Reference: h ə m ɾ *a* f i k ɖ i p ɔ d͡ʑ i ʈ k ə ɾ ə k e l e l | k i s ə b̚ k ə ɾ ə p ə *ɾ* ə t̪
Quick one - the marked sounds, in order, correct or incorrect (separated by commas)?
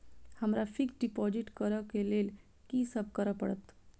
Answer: correct, incorrect